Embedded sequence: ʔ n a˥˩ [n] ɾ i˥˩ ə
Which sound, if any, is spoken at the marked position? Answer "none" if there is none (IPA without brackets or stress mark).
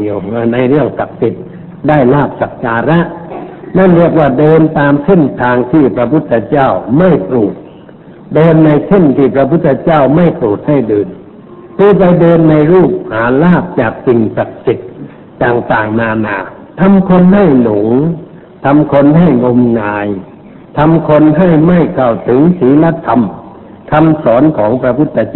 n